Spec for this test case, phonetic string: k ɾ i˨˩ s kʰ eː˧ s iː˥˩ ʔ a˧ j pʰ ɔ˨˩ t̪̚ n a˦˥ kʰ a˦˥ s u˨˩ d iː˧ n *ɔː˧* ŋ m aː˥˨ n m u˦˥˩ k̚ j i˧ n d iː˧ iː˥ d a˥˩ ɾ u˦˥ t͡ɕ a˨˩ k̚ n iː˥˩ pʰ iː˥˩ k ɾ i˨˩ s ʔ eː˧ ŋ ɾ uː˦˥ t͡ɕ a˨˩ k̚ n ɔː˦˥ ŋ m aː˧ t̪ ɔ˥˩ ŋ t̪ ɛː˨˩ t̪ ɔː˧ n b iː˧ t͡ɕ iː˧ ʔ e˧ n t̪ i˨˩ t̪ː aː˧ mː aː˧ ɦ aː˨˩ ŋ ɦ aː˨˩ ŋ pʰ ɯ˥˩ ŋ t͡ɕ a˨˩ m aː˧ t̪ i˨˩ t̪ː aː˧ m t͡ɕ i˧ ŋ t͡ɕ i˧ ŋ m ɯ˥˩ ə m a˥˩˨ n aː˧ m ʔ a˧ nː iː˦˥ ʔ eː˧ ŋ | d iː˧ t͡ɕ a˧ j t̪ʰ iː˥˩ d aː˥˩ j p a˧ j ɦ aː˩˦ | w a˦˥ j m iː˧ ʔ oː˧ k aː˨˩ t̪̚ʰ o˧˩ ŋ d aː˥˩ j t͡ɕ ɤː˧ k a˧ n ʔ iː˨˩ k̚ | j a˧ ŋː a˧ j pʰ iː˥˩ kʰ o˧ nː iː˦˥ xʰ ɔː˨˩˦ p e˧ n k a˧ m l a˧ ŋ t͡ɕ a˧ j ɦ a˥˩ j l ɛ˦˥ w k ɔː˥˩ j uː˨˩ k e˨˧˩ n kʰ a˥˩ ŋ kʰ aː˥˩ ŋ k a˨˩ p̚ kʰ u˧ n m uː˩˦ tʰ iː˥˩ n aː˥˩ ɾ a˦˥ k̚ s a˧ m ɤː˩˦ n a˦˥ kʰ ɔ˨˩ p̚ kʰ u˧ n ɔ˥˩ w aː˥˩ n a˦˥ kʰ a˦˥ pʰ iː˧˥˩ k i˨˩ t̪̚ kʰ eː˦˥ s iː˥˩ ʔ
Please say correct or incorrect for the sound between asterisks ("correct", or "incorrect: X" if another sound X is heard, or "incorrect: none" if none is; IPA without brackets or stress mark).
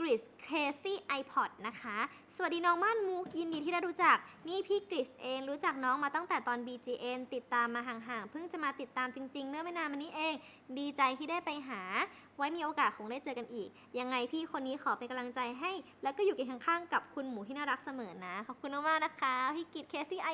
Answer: incorrect: ɔː˦˥